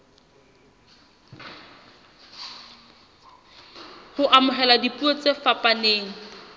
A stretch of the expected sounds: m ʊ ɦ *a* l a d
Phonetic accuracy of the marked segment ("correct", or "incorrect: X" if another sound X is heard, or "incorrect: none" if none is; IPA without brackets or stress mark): incorrect: ɛ